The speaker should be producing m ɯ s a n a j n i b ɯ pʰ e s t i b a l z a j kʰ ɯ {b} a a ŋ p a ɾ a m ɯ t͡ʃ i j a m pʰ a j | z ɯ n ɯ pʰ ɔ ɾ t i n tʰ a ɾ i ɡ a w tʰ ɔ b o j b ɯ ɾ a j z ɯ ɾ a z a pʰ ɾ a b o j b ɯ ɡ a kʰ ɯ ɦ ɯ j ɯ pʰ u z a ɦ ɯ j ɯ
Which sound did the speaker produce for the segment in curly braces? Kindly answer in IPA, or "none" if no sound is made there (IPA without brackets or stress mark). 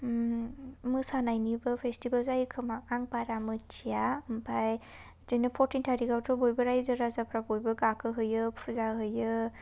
m